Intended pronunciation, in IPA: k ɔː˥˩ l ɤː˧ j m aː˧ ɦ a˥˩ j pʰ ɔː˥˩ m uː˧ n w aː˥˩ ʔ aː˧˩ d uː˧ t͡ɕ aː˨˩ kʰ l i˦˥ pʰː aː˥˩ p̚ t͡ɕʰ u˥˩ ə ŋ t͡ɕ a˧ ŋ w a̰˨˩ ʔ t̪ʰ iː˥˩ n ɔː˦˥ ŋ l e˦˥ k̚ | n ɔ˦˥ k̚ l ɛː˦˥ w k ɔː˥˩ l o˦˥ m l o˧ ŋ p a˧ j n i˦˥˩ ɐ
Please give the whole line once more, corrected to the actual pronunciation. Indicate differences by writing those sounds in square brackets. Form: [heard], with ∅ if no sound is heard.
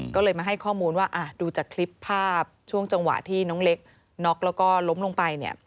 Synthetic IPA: k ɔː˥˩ l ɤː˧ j m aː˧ ɦ a˥˩ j [kʰ] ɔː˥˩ m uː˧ n w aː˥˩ ʔ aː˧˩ d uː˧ t͡ɕ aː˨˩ kʰ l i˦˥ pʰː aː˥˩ p̚ t͡ɕʰ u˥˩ ə ŋ t͡ɕ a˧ ŋ w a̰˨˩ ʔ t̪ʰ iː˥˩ n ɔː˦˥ ŋ l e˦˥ k̚ | n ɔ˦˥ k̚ l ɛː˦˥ w k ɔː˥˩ l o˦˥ m l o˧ ŋ p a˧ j n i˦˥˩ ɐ